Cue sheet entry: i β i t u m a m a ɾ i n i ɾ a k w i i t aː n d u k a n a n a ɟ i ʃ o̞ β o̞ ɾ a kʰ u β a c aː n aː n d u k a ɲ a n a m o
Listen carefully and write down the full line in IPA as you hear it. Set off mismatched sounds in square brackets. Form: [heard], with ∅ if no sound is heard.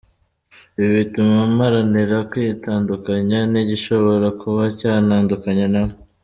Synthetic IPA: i β i t u m a m a ɾ [a] n i ɾ a k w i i t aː n d u k a [ɲ] a n [i] ɟ i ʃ o̞ β o̞ ɾ a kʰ u β a c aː n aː n d u k a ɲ a n a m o